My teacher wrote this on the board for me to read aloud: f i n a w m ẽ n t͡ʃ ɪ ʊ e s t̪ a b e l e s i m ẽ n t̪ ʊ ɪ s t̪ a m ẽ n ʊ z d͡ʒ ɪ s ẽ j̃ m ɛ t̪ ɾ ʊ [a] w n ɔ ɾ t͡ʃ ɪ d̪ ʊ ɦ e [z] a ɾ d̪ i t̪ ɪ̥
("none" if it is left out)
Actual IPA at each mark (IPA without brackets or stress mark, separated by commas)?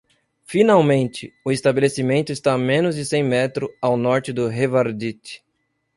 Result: a, v